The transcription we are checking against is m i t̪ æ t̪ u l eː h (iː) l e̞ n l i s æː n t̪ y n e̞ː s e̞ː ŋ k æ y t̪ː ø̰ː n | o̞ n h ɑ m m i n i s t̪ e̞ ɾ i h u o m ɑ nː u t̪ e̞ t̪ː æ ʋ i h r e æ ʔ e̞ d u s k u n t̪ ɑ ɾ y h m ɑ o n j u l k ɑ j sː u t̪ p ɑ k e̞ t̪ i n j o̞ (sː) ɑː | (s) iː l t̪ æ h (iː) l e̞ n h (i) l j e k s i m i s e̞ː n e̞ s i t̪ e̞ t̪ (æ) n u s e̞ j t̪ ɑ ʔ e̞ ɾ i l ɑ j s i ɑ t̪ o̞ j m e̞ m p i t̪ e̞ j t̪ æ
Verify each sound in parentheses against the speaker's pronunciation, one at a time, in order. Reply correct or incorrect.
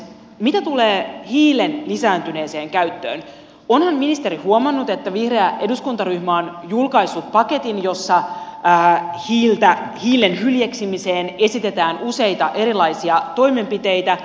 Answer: correct, correct, incorrect: h, correct, incorrect: y, incorrect: æː

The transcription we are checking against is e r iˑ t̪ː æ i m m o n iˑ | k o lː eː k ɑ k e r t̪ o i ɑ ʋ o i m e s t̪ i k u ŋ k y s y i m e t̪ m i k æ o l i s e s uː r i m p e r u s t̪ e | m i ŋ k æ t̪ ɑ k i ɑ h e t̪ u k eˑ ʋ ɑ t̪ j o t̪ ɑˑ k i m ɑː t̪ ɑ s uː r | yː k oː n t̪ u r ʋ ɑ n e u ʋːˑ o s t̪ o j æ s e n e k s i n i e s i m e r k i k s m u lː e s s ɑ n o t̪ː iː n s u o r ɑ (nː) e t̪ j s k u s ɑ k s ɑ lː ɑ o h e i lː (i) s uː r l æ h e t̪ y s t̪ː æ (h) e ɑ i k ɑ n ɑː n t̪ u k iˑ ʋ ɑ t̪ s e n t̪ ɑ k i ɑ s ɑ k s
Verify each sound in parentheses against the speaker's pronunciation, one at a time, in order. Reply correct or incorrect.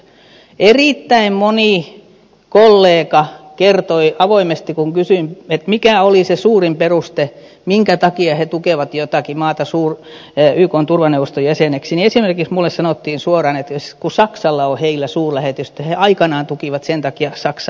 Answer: incorrect: n, incorrect: æ, correct

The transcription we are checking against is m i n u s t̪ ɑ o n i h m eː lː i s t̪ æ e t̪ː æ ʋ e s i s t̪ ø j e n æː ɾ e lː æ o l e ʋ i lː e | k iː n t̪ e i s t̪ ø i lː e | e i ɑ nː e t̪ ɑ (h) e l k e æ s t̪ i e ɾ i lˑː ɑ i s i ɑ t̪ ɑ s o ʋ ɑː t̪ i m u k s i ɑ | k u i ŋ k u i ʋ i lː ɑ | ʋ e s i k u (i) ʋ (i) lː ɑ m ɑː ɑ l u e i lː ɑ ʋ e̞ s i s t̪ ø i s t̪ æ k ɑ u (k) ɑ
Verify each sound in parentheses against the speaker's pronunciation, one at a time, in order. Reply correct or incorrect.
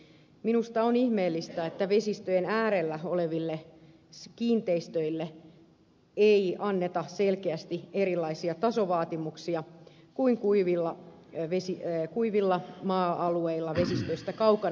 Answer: incorrect: s, correct, correct, correct

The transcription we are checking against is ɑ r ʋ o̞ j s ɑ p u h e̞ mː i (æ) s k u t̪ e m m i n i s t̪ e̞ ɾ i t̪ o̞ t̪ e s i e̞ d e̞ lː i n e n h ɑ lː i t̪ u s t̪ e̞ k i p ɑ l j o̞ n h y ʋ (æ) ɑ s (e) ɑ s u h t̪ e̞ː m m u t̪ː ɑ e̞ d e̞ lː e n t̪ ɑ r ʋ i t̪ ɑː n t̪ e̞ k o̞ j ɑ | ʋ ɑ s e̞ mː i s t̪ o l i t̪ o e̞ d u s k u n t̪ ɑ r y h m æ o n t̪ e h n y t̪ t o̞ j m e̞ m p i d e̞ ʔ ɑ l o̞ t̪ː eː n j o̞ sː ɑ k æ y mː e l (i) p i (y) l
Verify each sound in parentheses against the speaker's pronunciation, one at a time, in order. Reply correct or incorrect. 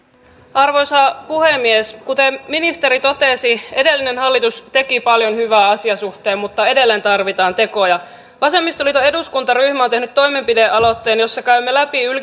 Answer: incorrect: e, incorrect: æː, incorrect: i, incorrect: æ, correct

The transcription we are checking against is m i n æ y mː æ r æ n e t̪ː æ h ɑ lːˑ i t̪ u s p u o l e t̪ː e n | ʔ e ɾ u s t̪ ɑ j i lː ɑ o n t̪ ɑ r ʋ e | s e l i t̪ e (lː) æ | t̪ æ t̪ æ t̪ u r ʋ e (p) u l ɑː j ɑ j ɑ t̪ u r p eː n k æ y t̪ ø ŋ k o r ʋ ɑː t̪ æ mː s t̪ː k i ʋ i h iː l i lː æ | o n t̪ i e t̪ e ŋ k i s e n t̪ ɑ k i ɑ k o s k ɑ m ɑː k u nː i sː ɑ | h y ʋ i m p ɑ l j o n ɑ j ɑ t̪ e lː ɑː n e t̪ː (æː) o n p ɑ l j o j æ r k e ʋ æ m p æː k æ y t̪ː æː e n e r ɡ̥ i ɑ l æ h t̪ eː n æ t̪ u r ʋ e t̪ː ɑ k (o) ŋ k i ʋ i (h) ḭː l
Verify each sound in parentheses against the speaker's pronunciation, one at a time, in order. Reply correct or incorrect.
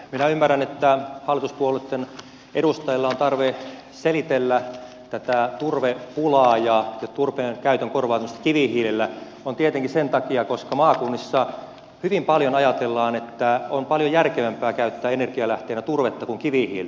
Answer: correct, correct, incorrect: æ, incorrect: u, correct

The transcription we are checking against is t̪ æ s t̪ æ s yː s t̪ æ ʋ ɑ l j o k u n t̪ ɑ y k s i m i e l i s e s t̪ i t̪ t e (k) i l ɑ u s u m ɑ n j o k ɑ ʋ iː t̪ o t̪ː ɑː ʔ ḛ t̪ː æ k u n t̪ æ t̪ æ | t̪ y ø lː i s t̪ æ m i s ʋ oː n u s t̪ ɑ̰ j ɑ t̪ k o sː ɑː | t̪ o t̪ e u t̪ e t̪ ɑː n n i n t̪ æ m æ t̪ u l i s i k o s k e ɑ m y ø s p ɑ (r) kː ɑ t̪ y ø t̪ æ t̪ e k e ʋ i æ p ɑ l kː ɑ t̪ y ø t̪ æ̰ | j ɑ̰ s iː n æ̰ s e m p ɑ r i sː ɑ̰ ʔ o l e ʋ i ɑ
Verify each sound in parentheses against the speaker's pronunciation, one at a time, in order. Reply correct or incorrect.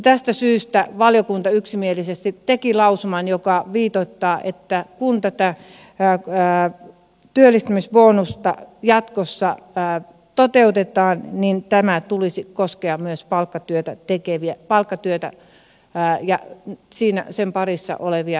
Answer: correct, incorrect: l

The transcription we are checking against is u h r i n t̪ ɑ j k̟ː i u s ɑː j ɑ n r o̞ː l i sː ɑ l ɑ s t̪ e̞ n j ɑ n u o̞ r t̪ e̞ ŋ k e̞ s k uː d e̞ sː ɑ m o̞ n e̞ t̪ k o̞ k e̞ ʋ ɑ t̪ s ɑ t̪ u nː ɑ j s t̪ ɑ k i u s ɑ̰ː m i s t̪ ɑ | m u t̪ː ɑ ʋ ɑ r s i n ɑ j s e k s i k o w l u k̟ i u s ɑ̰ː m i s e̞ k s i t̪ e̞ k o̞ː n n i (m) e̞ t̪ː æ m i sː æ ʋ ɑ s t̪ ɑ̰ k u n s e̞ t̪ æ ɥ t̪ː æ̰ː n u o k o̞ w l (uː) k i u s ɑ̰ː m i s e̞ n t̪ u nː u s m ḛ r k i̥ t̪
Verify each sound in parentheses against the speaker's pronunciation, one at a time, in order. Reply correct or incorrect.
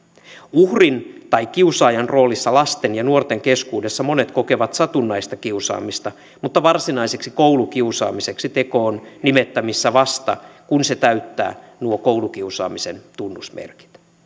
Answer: correct, incorrect: u

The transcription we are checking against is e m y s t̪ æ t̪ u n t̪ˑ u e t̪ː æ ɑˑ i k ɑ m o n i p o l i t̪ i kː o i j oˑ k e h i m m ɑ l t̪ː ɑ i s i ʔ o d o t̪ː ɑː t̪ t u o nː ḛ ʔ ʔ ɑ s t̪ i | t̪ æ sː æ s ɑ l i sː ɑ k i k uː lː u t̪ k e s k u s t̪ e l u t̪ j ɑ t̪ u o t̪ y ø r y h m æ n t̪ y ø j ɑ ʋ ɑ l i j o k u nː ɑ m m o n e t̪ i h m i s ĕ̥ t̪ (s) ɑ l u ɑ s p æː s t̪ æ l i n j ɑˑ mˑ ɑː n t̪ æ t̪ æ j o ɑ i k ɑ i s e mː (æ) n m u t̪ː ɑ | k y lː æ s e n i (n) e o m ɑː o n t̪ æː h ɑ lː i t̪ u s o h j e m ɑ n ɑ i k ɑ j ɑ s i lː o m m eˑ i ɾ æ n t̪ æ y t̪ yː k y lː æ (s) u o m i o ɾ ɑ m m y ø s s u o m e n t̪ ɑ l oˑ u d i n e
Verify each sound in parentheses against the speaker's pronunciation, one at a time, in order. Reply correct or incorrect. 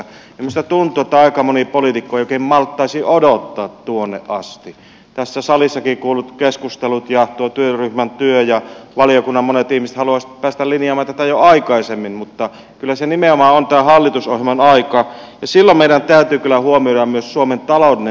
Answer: incorrect: h, incorrect: i, incorrect: m, incorrect: h

